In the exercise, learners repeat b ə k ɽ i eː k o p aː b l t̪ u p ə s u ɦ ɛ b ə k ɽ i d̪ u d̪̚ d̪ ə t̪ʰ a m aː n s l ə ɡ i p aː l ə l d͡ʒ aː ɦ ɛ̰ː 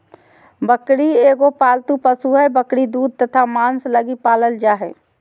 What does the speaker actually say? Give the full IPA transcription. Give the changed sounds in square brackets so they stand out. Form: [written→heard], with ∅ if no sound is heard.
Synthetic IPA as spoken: b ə k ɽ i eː [k→ɡ] o p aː [b→∅] l t̪ u p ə s u ɦ ɛ b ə k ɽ i d̪ [u→uː] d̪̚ [d̪→t̪] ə t̪ʰ a m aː n s l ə ɡ i p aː l ə l d͡ʒ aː ɦ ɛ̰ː